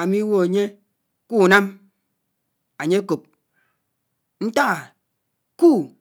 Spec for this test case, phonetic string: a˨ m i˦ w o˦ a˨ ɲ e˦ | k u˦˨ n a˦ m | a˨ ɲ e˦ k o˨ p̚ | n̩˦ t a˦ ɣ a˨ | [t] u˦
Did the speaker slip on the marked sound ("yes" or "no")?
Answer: yes